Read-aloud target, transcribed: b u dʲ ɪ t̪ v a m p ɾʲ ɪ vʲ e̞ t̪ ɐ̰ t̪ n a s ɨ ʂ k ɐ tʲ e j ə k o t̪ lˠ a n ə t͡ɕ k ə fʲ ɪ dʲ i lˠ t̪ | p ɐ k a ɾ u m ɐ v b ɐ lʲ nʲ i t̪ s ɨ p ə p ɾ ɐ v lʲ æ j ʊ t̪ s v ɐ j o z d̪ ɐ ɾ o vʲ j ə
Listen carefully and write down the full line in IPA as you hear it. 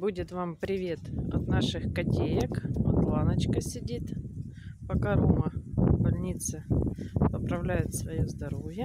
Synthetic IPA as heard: b u dʲ ɪ t̪ v a m p ɾʲ ɪ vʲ e̞ t̪ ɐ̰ t̪ n a ʂ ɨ x k ɐ tʲ e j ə k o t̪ lˠ a n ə t͡ɕ k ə sʲ ɪ dʲ i t̪ | p ɐ k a ɾ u m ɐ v b ɐ lʲ nʲ i t̪ s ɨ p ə p ɾ ɐ v lʲ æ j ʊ t̪ s v ɐ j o z d̪ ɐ ɾ o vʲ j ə

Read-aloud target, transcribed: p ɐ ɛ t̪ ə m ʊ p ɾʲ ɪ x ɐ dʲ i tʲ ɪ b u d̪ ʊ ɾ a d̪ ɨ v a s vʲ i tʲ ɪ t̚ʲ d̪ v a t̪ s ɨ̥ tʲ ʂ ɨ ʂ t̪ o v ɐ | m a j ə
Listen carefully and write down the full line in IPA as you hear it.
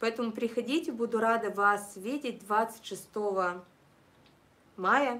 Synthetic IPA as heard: p ɐ ɛ t̪ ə m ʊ p ɾʲ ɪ x ɐ dʲ i tʲ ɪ b u d̪ ʊ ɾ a d̪ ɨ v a s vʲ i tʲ ɪ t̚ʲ d̪ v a t̪ s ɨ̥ tʲ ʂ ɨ s t̪ o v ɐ | m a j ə

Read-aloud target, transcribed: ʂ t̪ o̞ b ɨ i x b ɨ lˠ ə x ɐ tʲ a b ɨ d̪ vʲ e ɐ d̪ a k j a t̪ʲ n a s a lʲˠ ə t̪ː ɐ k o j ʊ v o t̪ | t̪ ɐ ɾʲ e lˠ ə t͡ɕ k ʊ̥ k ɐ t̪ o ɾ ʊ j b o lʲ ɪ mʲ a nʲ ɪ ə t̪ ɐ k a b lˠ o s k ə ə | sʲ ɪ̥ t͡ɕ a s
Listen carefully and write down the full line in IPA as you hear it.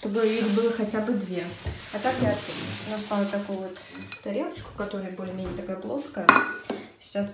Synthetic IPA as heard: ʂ t̪ o̞ b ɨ i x b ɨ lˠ ə x ɐ tʲ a b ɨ d̪ vʲ e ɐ t̪ a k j a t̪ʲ n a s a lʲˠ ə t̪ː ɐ k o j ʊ v o t̪ | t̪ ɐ ɾʲ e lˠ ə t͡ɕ k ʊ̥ k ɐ t̪ o ɾ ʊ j b o lʲ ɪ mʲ e nʲ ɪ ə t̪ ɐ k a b lˠ o s k ə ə | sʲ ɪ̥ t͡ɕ a s

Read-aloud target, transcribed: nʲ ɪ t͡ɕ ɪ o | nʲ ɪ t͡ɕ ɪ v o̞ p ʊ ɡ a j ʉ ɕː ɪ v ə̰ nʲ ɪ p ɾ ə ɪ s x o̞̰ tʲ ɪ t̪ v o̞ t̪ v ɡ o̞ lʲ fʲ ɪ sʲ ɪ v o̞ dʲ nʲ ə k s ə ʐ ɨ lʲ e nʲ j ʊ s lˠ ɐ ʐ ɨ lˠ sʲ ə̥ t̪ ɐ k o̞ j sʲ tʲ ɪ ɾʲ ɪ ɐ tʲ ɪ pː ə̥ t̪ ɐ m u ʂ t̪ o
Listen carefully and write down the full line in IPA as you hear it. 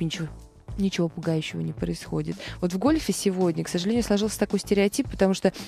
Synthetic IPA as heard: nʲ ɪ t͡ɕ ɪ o | nʲ ɪ t͡ɕ ɪ v o̞ p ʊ ɡ a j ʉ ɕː ɪ v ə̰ nʲ ɪ p ɾ ə ɪ s x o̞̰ dʲ ɪ t̪ v o̞ t̪ v ɡ o̞ lʲ fʲ ɪ sʲ ɪ v o̞ dʲ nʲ ə k s ə ʐ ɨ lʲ e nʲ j ʊ s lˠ ɐ ʐ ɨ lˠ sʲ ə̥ t̪ ɐ k o̞ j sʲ tʲ ɪ ɾʲ ɪ ɐ tʲ i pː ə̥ t̪ ɐ m u ʂ t̪ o

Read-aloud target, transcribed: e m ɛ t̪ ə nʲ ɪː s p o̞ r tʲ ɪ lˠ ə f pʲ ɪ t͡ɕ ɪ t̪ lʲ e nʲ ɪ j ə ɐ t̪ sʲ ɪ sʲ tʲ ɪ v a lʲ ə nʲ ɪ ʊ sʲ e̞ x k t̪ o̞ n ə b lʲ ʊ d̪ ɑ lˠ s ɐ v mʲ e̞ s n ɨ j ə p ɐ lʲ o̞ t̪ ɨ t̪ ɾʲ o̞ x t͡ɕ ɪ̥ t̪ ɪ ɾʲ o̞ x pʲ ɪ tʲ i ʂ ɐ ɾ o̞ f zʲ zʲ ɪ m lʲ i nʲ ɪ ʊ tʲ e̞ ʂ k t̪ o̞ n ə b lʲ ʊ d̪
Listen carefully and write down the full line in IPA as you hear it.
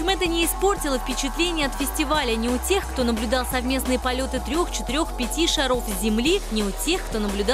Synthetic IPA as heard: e m ɛ t̪ ə nʲ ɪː s p o̞ r tʲ ɪ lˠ ə f pʲ ɪ t͡ɕ ɪ t̪ lʲ e nʲ ɪ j ə ɐ t̪ fʲ ɪ sʲ tʲ ɪ v a lʲ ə nʲ ɪ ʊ tʲ e̞ x k t̪ o̞ n ə b lʲ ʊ d̪ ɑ lˠ s ɐ v mʲ e̞ s n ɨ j ə p ɐ lʲ o̞ t̪ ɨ t̪ ɾʲ o̞ x t͡ɕ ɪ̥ t̪ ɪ ɾʲ o̞ x pʲ ɪ tʲ i ʂ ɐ ɾ o̞ f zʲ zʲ ɪ m lʲ i nʲ ɪ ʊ tʲ e̞ x k t̪ o̞ n ə b lʲ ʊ d̪

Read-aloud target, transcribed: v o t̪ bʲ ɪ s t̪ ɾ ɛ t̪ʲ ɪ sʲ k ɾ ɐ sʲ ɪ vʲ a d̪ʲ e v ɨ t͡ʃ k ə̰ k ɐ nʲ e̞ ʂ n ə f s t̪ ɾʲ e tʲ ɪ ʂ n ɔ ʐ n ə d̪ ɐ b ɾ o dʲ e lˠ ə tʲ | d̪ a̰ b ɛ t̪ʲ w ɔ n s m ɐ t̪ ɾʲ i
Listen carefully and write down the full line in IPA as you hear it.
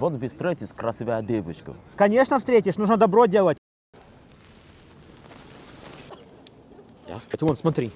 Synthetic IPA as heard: v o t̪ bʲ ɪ s t̪ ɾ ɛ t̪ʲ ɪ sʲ k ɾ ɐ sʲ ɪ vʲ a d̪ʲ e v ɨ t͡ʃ k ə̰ k ɐ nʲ e̞ ʂ n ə f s t̪ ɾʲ e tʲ ɪ ʂ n u ʐ n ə d̪ ɐ b ɾ o dʲ e lˠ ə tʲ | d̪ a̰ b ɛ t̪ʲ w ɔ n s m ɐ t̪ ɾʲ i

